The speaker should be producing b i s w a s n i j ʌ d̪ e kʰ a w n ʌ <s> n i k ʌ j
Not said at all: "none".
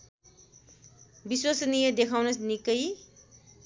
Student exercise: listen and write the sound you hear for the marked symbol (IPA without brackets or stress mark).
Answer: s